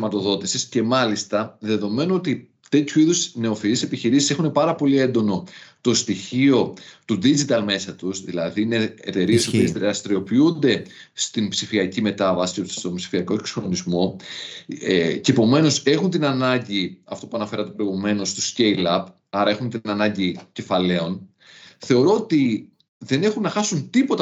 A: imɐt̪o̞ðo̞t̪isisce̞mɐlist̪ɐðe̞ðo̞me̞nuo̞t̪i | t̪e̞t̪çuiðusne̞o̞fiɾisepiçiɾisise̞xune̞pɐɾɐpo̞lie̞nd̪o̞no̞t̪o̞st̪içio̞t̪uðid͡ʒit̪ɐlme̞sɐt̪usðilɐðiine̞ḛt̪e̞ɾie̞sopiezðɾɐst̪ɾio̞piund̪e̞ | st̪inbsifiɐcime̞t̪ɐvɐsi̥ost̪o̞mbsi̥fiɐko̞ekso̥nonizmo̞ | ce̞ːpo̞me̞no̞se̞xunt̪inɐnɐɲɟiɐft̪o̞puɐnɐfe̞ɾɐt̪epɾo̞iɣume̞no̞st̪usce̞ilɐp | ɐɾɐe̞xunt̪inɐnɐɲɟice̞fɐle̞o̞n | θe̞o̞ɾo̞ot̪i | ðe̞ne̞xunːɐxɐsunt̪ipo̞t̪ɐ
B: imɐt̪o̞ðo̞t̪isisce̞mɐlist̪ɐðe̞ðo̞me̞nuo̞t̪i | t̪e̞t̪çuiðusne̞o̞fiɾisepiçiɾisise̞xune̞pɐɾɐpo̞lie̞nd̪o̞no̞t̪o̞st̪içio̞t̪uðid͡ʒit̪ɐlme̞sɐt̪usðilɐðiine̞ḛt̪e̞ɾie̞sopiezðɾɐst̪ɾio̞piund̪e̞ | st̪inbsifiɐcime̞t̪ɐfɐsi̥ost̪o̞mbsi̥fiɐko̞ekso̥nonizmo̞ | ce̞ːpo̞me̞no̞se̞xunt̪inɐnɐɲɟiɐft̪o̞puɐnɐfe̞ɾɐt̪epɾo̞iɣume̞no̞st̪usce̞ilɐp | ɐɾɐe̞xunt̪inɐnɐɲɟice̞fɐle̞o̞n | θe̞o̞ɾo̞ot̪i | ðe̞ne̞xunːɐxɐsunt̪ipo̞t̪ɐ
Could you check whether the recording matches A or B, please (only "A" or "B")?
A